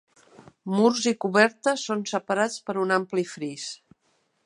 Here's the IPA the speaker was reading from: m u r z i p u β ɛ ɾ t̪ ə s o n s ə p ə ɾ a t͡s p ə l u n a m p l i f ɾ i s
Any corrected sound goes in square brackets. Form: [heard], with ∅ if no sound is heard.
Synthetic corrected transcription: m u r z i [k] u β ɛ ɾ t̪ ə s o n s ə p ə ɾ a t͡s p ə [ɾ] u n a m p l i f ɾ i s